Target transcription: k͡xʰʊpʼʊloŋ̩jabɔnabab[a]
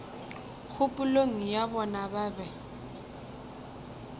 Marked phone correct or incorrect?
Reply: incorrect